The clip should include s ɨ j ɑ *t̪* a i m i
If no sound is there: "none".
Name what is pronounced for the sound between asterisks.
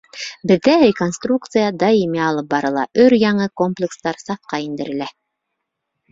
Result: d̪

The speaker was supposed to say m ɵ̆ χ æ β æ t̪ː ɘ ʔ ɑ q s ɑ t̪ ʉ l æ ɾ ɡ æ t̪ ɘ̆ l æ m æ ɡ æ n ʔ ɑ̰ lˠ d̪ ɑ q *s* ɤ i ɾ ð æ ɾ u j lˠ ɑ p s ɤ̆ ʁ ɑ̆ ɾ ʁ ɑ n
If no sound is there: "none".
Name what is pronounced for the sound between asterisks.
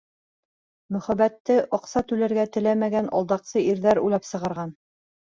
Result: s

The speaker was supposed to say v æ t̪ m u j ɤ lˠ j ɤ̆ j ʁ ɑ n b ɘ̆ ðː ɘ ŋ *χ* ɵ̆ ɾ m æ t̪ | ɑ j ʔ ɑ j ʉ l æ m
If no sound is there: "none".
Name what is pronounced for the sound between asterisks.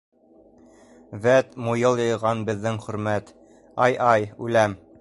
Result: χ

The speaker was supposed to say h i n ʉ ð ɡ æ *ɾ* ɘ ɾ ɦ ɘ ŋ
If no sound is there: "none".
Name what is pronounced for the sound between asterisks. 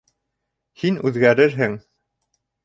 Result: ɾ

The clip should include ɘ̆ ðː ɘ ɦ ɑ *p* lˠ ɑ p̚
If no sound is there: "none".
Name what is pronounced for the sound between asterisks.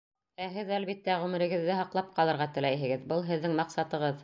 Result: q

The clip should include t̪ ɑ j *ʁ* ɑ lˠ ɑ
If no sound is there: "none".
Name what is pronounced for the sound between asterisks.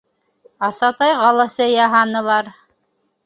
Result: ʁ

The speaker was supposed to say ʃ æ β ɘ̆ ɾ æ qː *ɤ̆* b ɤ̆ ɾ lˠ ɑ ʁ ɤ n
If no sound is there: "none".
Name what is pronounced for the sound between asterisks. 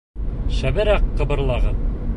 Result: ɤ̆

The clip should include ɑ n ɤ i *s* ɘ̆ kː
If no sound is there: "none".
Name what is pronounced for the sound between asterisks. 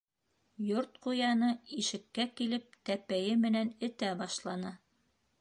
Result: ʃ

